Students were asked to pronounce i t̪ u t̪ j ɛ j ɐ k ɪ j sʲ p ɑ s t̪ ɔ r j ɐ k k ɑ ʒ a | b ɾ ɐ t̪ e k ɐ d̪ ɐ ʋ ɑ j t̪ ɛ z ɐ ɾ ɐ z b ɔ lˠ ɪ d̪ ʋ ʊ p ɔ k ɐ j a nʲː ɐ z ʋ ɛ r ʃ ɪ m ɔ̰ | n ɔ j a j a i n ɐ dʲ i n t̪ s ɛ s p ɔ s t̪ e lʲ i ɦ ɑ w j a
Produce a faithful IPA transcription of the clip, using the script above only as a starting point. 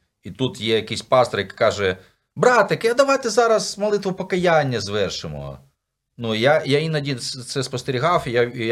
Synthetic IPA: i t̪ u t̪ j ɛ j ɐ k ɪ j sʲ p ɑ s t̪ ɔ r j ɐ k k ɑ ʒ ɛ | b ɾ ɑ t̪ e k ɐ d̪ ɐ ʋ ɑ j t̪ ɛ z ɑ ɾ ɐ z m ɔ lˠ ɪ t̪ ʋ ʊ p ɔ k ɐ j a nʲː ɐ z ʋ ɛ r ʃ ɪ m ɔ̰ | n u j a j a i n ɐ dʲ i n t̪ s ɛ s p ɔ s t̪ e ɾʲ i ɦ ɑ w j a